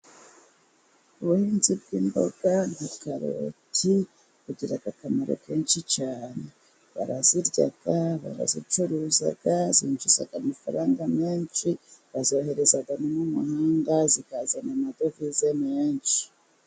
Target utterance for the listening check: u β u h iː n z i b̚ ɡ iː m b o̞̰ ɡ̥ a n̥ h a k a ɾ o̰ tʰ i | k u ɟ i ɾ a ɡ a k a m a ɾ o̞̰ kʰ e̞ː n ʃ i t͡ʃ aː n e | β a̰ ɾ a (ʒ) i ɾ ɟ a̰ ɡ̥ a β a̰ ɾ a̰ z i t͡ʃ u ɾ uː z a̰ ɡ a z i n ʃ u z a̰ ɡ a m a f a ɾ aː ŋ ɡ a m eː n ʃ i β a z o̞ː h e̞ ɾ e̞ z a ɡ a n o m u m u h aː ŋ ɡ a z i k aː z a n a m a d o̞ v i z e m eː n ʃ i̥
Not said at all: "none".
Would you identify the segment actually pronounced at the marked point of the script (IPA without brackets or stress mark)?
z